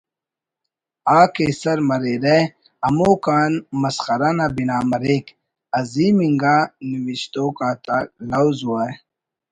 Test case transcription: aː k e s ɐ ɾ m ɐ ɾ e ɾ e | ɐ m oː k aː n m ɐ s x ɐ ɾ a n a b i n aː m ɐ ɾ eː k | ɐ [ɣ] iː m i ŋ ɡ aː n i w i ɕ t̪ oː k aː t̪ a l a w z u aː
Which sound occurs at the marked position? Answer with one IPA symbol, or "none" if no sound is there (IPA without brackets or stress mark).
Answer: z